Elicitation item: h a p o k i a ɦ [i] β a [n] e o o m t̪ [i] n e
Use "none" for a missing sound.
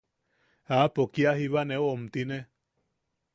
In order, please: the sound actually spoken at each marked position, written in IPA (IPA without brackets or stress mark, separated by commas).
i, n, i